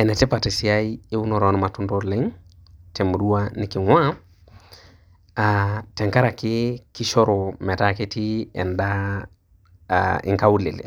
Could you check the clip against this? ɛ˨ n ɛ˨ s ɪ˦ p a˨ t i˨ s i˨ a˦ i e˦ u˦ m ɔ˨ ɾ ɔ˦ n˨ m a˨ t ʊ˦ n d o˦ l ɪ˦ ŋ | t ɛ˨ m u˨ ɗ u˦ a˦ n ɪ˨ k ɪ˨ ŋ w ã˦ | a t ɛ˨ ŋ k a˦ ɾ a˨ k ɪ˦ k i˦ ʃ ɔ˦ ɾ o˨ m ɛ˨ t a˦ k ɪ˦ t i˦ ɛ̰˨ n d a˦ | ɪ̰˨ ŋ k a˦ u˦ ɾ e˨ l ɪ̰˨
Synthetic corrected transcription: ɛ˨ n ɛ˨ t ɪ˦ p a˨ t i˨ s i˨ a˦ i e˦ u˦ n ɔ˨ ɾ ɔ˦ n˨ m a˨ t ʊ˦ n d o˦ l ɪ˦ ŋ | t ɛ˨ m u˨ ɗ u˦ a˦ n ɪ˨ k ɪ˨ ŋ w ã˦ | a t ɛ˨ ŋ k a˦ ɾ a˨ k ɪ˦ k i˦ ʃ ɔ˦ ɾ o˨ m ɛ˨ t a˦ k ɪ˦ t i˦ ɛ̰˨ n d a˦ | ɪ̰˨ ŋ k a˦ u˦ l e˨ l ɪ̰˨